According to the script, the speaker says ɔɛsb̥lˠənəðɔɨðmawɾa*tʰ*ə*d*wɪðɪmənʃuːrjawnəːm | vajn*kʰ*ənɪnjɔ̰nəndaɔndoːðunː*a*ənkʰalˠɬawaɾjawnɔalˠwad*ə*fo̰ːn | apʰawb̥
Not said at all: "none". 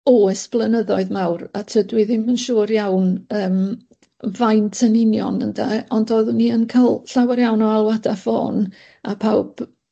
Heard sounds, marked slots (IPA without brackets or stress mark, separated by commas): tʰ, d, tʰ, i, a